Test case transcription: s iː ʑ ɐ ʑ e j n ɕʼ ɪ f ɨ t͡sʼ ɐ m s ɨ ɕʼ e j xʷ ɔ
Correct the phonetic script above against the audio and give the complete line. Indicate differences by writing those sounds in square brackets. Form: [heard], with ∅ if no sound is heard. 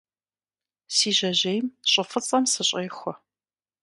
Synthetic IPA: s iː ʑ ɐ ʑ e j [m] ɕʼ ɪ f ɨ t͡sʼ ɐ m s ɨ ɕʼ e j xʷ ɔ